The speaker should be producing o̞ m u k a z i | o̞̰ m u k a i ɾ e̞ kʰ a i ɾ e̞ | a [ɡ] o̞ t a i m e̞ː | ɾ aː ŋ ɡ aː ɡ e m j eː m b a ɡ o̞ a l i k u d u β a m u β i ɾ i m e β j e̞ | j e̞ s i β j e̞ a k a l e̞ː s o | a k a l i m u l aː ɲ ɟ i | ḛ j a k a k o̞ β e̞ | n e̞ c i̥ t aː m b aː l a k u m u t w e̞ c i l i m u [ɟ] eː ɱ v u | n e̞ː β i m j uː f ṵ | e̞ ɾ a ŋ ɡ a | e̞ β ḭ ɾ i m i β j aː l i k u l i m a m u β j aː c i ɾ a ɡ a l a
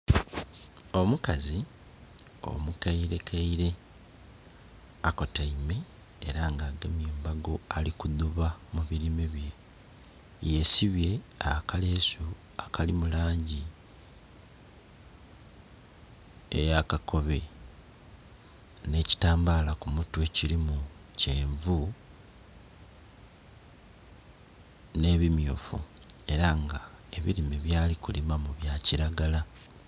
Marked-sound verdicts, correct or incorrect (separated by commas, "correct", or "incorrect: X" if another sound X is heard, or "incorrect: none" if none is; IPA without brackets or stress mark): incorrect: k, incorrect: c